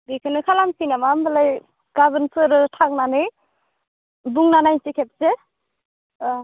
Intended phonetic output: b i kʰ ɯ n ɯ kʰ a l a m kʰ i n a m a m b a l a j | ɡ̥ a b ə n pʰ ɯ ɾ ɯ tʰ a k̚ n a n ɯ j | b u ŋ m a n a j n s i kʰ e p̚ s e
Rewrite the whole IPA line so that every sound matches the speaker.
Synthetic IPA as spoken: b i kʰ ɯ n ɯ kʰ a l a m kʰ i n a m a m b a l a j | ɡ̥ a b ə n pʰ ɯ ɾ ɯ tʰ a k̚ n a n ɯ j | b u ŋ n a n a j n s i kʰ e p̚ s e